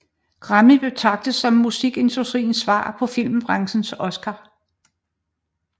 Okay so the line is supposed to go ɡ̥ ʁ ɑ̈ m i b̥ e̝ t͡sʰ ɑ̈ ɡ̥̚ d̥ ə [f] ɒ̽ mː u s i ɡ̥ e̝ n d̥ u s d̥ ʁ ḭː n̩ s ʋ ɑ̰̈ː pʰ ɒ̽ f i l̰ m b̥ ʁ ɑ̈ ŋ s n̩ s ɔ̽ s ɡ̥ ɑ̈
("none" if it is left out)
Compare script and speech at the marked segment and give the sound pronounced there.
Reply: s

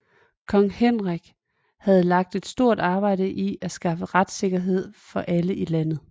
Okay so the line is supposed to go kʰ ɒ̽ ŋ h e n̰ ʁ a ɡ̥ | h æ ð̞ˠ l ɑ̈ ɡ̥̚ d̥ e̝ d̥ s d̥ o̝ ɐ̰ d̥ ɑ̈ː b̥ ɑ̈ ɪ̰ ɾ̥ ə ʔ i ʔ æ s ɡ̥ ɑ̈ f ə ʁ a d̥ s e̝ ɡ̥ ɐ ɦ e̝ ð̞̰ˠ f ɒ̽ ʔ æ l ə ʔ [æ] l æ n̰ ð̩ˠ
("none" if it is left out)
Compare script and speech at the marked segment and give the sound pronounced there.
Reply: i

